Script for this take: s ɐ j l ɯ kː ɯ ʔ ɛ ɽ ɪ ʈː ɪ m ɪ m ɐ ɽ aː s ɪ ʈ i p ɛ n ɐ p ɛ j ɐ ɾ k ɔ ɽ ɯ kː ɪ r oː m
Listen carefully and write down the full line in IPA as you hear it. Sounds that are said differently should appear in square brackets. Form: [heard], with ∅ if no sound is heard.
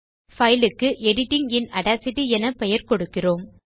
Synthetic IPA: [f] ɐ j l ɯ kː ɯ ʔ ɛ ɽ ɪ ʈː ɪ [ŋ] ɪ [n] ɐ ɽ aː s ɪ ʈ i [∅] ɛ n ɐ p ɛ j ɐ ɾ k ɔ ɽ ɯ kː ɪ r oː m